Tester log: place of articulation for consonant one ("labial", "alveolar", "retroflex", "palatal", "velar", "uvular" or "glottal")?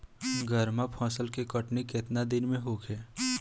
velar